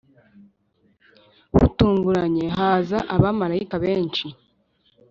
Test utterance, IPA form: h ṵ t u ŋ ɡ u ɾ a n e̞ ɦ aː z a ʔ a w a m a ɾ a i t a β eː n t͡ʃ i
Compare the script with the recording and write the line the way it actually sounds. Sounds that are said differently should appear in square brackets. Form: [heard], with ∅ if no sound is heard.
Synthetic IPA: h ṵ t [uː] ŋ ɡ u ɾ a [ɲ] e̞ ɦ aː z a ʔ a [β] a m a ɾ a i [k] a β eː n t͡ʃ i